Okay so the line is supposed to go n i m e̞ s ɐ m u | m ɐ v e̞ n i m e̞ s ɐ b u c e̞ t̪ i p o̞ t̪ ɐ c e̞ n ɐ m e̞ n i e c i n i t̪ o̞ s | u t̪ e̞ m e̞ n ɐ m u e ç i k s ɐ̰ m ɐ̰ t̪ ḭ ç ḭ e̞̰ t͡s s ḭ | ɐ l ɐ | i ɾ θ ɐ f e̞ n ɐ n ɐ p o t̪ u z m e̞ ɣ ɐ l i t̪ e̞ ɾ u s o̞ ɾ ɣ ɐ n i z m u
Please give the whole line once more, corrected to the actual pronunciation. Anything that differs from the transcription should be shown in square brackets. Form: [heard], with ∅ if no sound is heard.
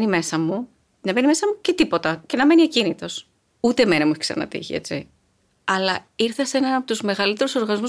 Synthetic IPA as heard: n i m e̞ s ɐ m u | [n] ɐ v e̞ n i m e̞ s ɐ [m] u c e̞ t̪ i p o̞ t̪ ɐ c e̞ n ɐ m e̞ n i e c i n i t̪ o̞ s | u t̪ e̞ m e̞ n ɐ m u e ç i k s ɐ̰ [n] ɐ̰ t̪ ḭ ç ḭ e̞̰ t͡s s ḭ | ɐ l ɐ | i ɾ θ ɐ [s] e̞ n ɐ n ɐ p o t̪ u z m e̞ ɣ ɐ l i t̪ e̞ ɾ u s o̞ ɾ ɣ ɐ n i z m u